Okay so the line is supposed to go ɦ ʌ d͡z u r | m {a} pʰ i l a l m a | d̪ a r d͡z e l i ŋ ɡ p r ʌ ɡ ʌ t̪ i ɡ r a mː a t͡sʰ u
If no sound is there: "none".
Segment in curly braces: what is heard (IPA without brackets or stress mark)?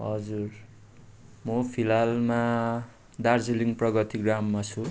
ʌ